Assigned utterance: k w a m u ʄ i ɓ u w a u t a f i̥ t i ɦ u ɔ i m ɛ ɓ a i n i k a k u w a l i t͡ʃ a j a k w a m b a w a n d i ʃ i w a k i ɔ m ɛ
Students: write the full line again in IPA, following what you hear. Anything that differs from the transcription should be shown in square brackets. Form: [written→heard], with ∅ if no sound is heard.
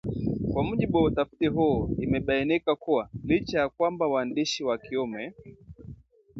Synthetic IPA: k w a m u ʄ i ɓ u w a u t a f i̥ t i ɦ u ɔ i m ɛ ɓ a i n i k a k u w a l i t͡ʃ a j a k w a m b a w a n d i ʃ i w a k i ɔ m ɛ

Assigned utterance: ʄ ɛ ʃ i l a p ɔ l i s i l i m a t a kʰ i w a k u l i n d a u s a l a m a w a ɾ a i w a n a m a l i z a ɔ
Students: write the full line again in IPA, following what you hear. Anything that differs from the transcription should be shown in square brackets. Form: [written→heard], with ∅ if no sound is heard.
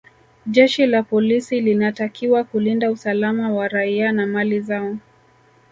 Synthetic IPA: ʄ ɛ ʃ i l a p ɔ l i s i l i [m→n] a t a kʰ i w a k u l i n d a u s a l a m a w a ɾ a i [w→∅] a n a m a l i z a ɔ

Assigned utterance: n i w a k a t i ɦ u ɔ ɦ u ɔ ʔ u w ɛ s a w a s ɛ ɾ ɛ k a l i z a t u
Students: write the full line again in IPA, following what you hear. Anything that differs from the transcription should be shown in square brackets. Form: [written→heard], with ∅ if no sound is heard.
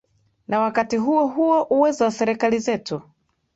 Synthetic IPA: n [i→a] w a k a t i ɦ u ɔ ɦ u ɔ ʔ u w ɛ [s→z] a w a s ɛ ɾ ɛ k a l i z [a→ɛ] t u

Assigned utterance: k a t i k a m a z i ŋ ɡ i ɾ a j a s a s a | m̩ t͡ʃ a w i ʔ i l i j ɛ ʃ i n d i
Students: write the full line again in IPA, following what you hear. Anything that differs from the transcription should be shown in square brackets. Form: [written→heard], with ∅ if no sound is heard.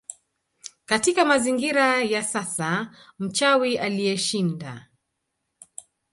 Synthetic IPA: k a t i k a m a z i ŋ ɡ i ɾ a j a s a s a | m̩ t͡ʃ a w i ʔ [i→a] l i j ɛ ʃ i n d [i→a]

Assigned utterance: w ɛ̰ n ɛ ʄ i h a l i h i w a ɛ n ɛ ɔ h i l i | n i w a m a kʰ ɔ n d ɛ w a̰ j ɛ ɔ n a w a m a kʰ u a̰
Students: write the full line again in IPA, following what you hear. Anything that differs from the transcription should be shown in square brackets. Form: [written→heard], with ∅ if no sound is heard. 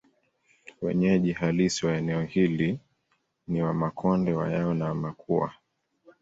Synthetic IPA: w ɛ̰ [n→ɲ] ɛ ʄ i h a l i [h→s] i w a ɛ n ɛ ɔ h i l i | n i w a m a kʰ ɔ n d ɛ w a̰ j [ɛ→a] ɔ n a w a m a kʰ u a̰

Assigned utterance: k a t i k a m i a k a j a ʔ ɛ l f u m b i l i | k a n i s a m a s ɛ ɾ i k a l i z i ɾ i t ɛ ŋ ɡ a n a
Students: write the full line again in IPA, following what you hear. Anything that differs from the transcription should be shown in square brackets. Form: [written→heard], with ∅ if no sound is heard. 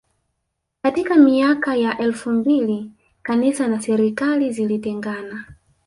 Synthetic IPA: k a t i k a m i a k a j a ʔ ɛ l f u m b i l i | k a n i s a [m→n] a s ɛ ɾ i k a l i z i [ɾ→l] i t ɛ ŋ ɡ a n a

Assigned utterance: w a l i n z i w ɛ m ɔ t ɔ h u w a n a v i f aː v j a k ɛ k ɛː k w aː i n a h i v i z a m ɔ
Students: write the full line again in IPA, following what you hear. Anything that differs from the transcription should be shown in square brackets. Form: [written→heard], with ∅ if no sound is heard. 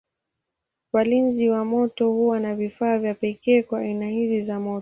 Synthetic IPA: w a l i n z i w [ɛ→a] m ɔ t ɔ h u w a n a v i f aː v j a [k→p] ɛ k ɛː k w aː i n a h i [v→z] i z a m ɔ

